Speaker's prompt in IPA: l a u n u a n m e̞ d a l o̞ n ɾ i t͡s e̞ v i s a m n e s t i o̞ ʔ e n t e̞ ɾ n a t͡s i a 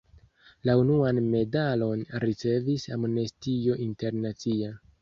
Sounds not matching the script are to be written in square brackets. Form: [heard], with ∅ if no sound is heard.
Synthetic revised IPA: l a u n u a n m e̞ d a l o̞ n ɾ i t͡s e̞ v i s a m n e s t i o̞ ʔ [i] n t e̞ ɾ n a t͡s i a